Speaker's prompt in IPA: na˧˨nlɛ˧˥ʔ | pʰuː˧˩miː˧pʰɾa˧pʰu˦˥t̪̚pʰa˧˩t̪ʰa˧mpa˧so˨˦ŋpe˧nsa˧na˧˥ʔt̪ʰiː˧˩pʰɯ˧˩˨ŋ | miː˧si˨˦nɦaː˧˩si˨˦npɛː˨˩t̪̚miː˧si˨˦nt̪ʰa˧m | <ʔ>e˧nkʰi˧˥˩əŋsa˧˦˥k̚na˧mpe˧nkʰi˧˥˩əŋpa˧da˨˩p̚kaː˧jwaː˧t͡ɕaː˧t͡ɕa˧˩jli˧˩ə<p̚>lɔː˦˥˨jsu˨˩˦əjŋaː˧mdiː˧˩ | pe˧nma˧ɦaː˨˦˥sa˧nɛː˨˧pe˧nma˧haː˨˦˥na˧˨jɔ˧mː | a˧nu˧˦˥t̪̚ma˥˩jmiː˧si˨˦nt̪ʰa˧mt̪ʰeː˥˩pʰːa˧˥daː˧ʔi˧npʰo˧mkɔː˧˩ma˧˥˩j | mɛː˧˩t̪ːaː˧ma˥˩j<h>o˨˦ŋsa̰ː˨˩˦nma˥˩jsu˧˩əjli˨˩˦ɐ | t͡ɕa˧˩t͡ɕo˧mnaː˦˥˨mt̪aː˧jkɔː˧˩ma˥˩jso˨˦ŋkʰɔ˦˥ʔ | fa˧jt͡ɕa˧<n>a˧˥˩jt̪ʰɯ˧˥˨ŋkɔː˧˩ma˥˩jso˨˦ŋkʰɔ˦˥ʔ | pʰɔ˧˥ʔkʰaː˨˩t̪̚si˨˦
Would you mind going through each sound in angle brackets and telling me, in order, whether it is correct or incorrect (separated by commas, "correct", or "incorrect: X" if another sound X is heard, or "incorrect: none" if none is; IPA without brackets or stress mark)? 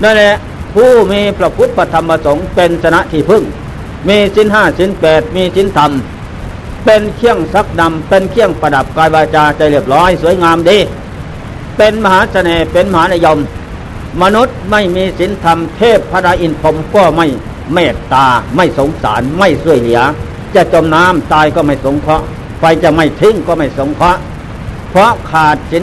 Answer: incorrect: p, correct, incorrect: s, incorrect: m